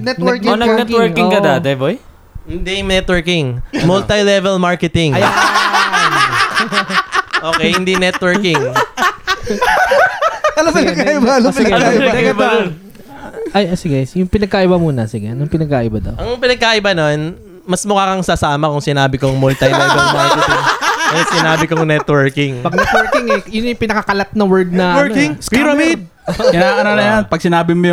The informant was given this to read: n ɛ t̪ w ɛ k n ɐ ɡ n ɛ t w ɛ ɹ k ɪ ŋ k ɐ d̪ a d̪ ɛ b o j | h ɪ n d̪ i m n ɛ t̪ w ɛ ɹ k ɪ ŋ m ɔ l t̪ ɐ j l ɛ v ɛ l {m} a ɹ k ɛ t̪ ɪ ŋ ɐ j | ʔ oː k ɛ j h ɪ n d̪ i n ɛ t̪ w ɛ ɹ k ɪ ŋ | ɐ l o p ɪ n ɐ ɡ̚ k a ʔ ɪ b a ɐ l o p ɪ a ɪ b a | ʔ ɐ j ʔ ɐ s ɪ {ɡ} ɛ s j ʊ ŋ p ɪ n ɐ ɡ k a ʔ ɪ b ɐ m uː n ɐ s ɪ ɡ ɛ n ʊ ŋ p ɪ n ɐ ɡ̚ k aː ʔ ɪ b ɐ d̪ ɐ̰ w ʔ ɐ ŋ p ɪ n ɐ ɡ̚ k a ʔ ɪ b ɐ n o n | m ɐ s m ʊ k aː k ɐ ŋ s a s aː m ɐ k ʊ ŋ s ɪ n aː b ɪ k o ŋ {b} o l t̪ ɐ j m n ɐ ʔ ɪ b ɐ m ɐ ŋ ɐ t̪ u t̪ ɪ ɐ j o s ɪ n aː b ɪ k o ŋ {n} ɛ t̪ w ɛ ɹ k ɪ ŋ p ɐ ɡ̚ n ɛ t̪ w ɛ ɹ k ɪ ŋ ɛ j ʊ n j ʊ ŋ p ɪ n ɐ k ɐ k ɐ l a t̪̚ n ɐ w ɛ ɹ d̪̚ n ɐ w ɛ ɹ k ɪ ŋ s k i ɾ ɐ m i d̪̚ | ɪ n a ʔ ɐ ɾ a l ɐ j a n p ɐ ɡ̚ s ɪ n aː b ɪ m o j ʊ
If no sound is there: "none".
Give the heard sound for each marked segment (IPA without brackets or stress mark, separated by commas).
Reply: m, ɡ, m, n